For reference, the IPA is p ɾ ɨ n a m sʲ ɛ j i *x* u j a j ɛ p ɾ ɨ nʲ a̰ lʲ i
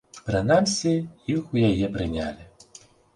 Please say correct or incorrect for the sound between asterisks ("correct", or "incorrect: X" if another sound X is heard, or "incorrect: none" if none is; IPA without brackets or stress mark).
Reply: correct